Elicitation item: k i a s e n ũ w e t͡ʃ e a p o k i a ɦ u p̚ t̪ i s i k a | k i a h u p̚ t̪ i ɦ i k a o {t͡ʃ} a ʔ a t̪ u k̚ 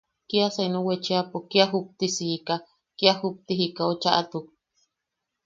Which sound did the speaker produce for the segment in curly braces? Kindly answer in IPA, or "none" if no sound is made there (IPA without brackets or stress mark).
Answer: t͡ʃ